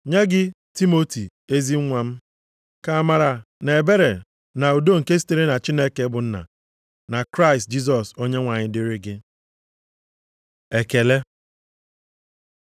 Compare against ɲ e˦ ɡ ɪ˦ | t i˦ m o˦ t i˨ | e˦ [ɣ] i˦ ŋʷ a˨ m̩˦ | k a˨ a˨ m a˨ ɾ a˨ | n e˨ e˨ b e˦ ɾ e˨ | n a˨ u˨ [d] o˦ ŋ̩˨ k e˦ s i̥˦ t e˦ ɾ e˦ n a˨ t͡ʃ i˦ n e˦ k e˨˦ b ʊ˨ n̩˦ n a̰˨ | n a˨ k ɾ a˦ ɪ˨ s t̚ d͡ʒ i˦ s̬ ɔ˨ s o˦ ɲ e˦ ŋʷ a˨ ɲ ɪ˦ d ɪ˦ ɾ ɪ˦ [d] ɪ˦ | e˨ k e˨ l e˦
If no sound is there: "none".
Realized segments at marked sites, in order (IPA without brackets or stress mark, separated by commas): z, d, ɡ